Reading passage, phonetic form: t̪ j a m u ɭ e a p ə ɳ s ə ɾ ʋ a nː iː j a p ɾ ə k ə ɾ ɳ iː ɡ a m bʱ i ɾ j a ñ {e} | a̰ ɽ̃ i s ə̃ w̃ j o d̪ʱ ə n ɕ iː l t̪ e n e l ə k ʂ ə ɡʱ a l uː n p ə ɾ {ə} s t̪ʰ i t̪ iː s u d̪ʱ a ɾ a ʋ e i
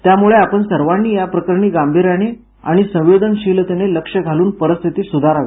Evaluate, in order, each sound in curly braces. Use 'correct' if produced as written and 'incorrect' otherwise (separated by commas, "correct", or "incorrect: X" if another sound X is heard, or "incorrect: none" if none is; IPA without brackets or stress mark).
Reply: correct, correct